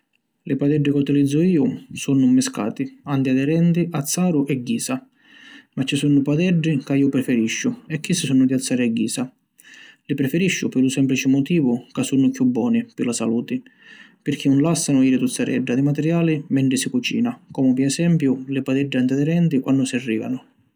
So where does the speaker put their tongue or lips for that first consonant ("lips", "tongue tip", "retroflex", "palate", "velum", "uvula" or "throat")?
tongue tip